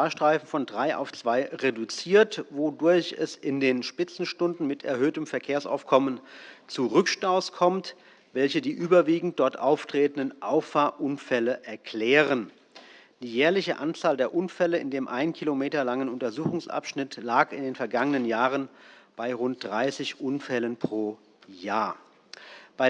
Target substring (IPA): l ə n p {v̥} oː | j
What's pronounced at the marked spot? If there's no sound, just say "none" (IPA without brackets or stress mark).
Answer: ʁ̥